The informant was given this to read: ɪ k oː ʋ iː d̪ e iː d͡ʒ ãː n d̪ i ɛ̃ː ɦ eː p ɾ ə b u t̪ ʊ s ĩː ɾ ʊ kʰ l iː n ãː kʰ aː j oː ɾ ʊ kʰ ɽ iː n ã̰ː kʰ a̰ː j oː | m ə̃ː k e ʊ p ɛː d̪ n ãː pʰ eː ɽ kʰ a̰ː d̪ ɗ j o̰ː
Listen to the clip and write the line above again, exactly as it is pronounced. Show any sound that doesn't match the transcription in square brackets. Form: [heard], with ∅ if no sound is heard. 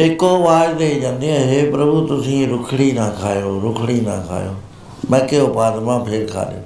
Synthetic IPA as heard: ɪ k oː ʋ [aː] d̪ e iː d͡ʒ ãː n d̪ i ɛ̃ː ɦ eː p ɾ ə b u t̪ ʊ s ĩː ɾ ʊ kʰ [ɽ] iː n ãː kʰ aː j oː ɾ ʊ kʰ ɽ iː n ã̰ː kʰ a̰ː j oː | m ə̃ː k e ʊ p [aː] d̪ [m] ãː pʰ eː [ɾ] kʰ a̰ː [∅] ɗ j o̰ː